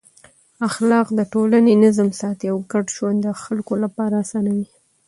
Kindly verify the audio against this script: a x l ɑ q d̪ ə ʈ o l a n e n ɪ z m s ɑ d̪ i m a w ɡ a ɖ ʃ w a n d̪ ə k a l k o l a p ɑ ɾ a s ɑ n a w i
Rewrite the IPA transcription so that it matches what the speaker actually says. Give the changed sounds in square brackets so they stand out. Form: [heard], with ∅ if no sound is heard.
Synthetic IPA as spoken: a x l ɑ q d̪ ə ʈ o l a n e n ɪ z m s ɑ [t̪] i [∅] a w ɡ a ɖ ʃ w a n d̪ ə [x] a l k o l a p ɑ ɾ a s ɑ n a w i

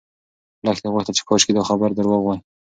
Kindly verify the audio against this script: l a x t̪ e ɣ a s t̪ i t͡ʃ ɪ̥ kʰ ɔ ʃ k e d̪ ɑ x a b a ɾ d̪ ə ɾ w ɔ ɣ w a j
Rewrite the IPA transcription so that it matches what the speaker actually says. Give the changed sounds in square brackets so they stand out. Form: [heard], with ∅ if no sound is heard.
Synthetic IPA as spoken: l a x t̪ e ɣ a [x] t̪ [a] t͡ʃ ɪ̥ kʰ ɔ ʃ k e d̪ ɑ x a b a ɾ d̪ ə ɾ w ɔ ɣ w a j

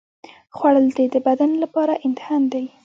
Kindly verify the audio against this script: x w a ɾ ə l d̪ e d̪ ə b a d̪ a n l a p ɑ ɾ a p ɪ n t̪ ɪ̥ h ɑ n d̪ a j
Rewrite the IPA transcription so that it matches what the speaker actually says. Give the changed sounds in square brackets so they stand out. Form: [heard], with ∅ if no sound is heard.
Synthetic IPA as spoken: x w a [ɽ] ə l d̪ e d̪ ə b a d̪ a n l a p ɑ ɾ a [ʔ] ɪ n t̪ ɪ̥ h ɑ n d̪ a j

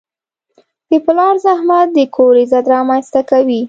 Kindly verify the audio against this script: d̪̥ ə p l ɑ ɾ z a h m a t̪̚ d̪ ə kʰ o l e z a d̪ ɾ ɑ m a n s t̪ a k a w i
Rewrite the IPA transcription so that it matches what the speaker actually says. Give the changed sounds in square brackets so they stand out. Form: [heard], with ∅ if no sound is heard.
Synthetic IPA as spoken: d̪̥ ə p l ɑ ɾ z a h m a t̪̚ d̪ ə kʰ o [ɾ] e z a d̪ ɾ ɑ m a n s t̪ a k a w i

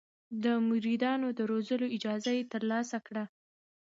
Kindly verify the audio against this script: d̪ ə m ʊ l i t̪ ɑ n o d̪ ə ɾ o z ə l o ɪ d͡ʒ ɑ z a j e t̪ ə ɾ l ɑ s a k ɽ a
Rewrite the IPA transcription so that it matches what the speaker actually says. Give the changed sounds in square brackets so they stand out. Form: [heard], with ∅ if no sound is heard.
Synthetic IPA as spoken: d̪ ə m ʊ [ɾ] i [d̪] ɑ n o d̪ ə ɾ o z ə l o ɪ d͡ʒ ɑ z a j e t̪ ə ɾ l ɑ s a k ɽ a

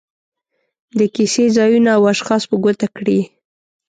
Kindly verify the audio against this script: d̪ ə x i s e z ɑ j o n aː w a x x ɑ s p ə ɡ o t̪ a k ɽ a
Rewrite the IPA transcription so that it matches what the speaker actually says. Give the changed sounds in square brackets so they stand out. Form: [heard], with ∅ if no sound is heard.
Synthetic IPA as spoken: d̪ ə [k] i s e z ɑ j [u] n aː w a [ʃ] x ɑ s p ə ɡ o t̪ a k ɽ [i]

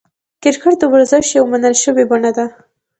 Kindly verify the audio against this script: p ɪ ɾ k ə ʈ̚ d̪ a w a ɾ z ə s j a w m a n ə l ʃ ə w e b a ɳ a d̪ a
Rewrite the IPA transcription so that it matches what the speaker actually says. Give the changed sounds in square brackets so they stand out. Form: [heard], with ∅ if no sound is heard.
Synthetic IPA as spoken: [k] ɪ ɾ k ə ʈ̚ d̪ [ə] w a ɾ z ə [ʃ] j a w m a n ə l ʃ ə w e b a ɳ a d̪ a

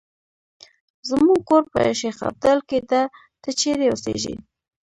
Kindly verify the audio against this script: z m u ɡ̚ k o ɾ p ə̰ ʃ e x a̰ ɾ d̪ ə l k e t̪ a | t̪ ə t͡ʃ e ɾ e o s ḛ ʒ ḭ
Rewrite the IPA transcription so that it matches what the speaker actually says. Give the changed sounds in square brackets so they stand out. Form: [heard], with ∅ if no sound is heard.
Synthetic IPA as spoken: z m u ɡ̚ k o ɾ p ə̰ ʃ e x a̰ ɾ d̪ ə l k e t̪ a | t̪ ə t͡ʃ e ɾ e o s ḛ ʒ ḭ

